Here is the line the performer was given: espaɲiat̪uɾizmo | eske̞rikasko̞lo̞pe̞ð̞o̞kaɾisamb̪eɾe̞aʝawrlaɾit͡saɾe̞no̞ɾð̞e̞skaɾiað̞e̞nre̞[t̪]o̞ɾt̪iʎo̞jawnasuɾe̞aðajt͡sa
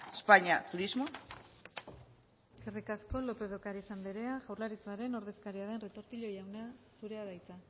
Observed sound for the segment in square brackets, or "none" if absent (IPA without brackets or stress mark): t̪